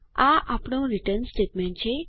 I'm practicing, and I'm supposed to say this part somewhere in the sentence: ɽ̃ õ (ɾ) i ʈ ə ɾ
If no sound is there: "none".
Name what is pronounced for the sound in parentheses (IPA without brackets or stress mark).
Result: ɾ